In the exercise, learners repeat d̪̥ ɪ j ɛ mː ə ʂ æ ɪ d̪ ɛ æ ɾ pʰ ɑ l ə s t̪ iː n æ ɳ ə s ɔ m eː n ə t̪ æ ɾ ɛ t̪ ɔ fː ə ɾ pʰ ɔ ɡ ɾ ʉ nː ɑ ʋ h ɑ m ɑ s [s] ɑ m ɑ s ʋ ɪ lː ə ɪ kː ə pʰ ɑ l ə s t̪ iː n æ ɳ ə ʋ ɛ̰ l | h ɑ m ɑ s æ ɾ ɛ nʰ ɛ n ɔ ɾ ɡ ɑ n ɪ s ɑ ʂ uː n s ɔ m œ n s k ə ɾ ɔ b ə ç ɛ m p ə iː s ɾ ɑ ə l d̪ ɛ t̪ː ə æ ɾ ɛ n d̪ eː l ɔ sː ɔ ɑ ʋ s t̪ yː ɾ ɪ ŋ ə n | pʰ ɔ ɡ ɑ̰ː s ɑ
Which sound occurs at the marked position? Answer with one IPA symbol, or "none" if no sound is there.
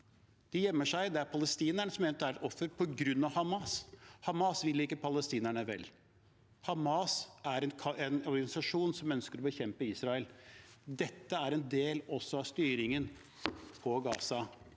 h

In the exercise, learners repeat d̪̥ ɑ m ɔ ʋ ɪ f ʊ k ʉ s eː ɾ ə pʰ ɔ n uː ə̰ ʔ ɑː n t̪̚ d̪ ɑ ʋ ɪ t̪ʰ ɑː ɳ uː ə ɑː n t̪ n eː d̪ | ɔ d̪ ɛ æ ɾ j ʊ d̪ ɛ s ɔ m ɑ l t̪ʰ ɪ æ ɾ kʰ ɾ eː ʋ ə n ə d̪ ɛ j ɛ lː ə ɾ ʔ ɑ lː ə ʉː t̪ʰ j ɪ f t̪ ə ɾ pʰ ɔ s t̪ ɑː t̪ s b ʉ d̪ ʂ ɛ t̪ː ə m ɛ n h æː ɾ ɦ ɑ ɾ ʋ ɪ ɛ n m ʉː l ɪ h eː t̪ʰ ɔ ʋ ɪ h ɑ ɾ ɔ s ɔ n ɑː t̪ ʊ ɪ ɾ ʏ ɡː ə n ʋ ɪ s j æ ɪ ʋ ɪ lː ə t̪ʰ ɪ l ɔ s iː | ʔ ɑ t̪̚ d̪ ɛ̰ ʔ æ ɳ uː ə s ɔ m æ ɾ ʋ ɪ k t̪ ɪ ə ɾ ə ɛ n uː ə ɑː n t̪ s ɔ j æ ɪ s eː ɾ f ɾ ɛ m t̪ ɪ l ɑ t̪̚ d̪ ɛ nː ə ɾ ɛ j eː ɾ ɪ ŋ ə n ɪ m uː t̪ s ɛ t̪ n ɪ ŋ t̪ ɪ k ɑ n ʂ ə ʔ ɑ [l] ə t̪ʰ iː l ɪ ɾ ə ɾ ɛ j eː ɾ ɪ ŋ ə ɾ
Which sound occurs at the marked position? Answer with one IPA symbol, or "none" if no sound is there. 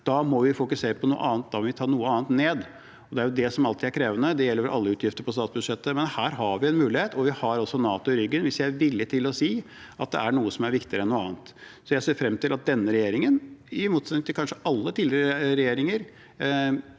lː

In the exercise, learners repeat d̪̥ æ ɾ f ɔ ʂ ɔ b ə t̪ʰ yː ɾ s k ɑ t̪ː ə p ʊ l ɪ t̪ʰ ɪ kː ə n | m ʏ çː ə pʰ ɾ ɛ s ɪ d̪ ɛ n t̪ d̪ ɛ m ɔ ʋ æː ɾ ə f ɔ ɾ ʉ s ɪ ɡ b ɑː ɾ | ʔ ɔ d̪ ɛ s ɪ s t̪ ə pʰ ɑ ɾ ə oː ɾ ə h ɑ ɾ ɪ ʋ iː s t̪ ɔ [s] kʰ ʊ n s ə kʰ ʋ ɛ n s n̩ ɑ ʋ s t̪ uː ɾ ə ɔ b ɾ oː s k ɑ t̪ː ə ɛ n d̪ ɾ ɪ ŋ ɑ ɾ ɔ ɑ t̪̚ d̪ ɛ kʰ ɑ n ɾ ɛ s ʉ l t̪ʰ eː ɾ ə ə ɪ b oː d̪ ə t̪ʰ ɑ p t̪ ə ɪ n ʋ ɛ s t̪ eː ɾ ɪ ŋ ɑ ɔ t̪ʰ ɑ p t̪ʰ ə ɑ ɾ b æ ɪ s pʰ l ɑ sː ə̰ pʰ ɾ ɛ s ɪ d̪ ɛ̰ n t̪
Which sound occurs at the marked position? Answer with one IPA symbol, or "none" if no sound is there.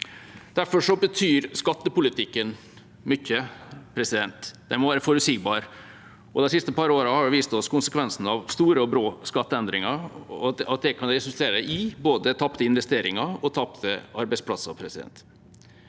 s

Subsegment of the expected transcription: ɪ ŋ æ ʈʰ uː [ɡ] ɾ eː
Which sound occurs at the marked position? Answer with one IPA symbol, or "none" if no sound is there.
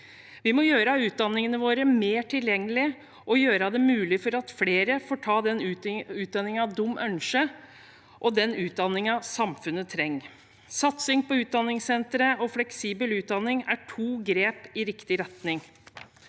ɡ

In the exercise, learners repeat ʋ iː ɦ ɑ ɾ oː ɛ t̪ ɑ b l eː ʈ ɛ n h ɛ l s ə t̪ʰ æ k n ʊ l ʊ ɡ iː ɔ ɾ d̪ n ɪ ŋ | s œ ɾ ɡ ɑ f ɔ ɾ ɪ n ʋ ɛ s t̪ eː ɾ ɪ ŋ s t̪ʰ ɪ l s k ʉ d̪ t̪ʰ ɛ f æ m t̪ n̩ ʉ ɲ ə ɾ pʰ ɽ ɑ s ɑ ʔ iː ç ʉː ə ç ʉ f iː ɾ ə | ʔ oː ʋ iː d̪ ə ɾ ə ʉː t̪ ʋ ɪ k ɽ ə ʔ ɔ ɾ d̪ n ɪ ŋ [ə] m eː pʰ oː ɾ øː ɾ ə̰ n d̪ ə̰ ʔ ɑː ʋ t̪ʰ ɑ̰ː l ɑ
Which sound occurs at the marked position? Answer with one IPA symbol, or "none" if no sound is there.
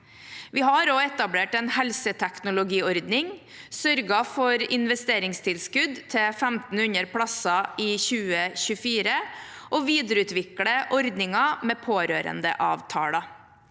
ɑ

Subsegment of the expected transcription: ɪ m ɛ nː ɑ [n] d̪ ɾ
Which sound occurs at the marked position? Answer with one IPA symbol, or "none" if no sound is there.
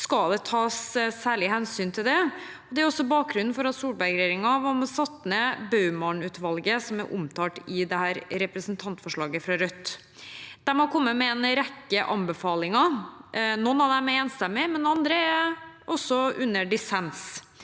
n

